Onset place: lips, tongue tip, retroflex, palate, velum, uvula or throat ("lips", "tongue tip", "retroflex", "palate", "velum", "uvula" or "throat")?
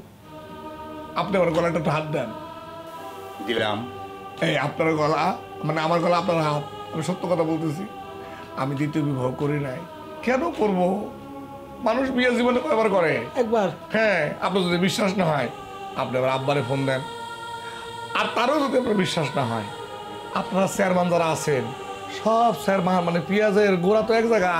lips